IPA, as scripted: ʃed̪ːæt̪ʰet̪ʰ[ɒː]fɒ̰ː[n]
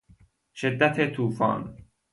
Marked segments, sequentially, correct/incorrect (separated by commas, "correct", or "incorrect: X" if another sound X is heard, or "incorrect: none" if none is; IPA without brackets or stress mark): incorrect: uː, correct